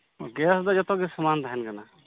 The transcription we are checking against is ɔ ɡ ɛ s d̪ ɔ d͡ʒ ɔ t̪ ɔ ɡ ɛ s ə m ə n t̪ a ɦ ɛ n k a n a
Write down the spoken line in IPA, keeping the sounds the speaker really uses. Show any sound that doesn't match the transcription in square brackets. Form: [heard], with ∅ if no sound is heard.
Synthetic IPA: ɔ ɡ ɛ s d̪ ɔ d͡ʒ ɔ t̪ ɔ ɡ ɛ s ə m [a] n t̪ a ɦ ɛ n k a n a